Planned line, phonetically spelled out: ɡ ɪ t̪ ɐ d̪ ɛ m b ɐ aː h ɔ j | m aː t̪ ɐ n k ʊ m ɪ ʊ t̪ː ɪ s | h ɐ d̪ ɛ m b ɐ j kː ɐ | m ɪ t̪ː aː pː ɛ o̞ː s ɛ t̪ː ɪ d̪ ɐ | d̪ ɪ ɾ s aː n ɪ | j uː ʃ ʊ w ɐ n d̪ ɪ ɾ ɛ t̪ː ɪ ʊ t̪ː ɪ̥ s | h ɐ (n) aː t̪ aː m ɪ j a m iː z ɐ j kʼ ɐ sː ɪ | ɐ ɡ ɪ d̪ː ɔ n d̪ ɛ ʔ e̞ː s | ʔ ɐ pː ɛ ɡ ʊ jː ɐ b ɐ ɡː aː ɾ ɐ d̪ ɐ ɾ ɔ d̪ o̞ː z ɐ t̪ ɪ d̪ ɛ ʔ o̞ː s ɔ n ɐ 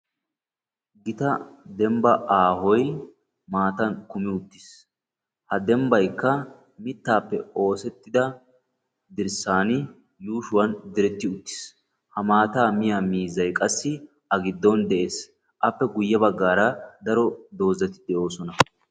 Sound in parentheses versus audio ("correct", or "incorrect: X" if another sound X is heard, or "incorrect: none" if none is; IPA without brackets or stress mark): incorrect: m